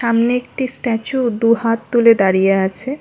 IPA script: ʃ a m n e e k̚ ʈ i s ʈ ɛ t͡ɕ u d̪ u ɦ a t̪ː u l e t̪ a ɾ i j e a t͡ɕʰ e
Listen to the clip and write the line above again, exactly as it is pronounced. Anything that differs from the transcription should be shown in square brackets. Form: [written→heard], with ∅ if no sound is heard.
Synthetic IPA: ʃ a m n e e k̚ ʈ i s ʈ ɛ t͡ɕ u d̪ u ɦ a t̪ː u l e [t̪→d̪] a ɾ i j e a t͡ɕʰ e